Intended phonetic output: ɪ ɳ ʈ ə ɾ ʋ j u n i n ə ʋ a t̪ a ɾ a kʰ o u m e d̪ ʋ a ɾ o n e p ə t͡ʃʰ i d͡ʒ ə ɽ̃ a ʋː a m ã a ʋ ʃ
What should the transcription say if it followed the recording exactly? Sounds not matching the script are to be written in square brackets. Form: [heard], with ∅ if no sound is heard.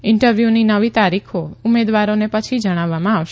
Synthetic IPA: ɪ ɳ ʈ ə ɾ ʋ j u n i n ə ʋ [i] t̪ a ɾ [i] kʰ o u m e d̪ ʋ a ɾ o n e p ə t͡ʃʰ i d͡ʒ ə ɽ̃ a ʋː a m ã a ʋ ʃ